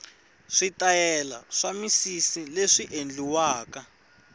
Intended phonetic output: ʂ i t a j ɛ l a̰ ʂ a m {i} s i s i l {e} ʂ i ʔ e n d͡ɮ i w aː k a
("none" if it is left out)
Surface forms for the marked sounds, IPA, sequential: i, e

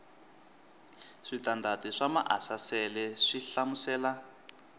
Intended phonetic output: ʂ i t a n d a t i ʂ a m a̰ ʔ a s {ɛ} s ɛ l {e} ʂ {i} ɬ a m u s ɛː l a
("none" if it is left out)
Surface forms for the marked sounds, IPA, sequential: a, ɛ, i

